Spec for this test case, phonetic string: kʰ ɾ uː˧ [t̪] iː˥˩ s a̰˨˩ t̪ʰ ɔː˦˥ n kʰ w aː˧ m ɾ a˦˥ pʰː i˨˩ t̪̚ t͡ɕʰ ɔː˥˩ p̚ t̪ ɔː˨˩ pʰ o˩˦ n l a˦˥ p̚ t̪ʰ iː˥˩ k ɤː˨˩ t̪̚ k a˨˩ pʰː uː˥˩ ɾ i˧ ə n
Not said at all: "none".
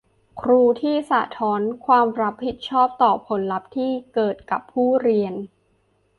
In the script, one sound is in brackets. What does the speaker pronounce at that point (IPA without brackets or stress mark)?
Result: t̪ʰ